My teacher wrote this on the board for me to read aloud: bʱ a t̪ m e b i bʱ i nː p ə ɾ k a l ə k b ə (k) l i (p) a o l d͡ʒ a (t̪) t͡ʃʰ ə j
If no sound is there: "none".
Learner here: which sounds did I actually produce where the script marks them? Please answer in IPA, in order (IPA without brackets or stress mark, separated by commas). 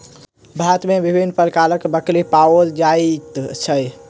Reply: k, p, t̪